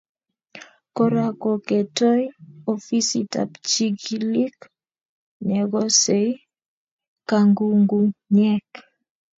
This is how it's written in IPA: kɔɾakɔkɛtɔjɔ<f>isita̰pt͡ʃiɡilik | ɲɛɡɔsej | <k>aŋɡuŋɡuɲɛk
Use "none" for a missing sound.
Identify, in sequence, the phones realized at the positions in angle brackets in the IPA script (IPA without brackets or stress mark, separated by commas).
f, k